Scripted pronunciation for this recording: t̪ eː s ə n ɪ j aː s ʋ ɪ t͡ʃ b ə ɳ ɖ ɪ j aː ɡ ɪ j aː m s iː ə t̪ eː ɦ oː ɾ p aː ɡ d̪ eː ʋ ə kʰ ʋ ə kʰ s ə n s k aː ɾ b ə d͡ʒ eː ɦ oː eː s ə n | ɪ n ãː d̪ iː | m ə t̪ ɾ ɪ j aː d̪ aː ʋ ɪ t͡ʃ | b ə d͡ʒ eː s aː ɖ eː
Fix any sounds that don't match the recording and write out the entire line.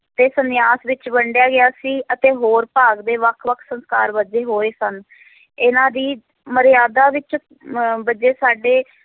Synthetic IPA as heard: t̪ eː s ə n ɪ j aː s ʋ ɪ t͡ʃ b ə ɳ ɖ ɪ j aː ɡ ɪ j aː s iː ə t̪ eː ɦ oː ɾ p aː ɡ d̪ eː ʋ ə kʰ ʋ ə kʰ s ə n s k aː ɾ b ə d͡ʒ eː ɦ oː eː s ə n | ɪ n ãː d̪ iː | m ə ɾ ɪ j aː d̪ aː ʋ ɪ t͡ʃ | b ə d͡ʒ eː s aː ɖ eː